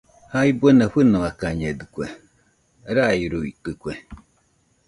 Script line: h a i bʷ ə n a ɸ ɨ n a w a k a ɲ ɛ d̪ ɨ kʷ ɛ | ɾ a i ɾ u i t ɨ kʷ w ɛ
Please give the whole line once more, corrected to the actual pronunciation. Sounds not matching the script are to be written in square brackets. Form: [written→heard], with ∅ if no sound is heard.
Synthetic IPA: h a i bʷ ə n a ɸ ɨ n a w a k a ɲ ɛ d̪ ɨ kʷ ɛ | ɾ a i ɾ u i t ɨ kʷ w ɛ